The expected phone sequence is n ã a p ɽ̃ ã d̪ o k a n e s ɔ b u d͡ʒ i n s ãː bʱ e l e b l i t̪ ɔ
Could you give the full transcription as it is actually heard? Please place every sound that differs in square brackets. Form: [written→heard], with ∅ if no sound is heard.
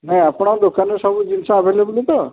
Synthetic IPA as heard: n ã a p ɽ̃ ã d̪ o k a n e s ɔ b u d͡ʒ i n s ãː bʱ e l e b l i t̪ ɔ